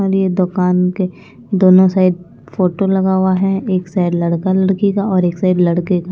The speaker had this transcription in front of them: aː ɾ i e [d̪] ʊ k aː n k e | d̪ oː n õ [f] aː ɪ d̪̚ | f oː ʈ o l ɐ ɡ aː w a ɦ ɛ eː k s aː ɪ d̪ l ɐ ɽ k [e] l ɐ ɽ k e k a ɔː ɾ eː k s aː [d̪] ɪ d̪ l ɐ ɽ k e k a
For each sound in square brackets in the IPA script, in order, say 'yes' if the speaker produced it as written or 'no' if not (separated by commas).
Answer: yes, no, no, no